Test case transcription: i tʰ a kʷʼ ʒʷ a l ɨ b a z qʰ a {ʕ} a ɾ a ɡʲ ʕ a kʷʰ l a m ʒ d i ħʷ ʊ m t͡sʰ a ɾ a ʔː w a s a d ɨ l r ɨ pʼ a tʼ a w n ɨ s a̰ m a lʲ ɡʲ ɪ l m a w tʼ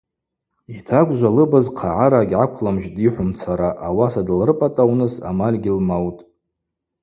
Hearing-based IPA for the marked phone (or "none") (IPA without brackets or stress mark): ʕ